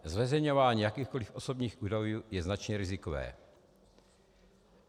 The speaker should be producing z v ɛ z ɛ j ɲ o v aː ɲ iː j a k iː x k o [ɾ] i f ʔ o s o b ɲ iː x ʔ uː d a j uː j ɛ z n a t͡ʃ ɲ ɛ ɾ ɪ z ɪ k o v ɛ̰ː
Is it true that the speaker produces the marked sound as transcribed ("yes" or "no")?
no